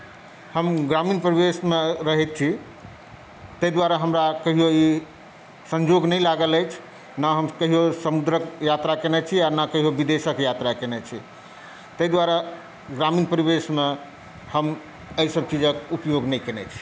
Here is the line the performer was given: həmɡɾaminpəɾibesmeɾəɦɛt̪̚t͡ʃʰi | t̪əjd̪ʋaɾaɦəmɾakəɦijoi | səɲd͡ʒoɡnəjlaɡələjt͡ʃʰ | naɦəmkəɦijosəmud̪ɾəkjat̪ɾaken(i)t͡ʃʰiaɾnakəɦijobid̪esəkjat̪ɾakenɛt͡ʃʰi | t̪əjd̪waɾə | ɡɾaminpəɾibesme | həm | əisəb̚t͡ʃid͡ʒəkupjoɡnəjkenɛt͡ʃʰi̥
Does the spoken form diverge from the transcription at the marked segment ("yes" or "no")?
yes